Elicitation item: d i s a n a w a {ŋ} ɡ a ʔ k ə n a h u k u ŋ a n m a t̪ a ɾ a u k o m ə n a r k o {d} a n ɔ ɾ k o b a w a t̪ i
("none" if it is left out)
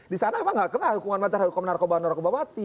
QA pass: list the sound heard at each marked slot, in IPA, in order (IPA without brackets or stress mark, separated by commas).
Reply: ŋ, b